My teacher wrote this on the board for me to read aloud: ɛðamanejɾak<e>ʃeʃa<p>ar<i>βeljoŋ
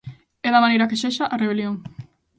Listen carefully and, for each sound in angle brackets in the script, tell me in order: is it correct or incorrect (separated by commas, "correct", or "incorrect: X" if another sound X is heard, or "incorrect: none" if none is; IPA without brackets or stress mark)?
correct, incorrect: ʔ, incorrect: e